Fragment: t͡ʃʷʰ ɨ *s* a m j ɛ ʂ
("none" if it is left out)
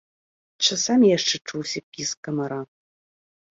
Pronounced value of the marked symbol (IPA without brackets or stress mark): s